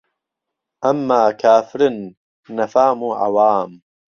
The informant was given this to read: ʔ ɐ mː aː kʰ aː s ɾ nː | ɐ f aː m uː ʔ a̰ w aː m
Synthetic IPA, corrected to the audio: ʔ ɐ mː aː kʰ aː f ɾ nː | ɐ f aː m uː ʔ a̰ w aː m